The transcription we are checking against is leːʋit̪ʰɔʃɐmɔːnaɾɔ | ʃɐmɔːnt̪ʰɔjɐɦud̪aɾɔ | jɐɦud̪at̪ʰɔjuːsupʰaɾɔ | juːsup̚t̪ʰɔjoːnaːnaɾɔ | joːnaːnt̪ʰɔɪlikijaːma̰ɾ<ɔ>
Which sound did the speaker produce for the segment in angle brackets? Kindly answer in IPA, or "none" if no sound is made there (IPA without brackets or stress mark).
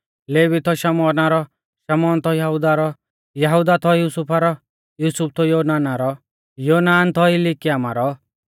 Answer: ɔ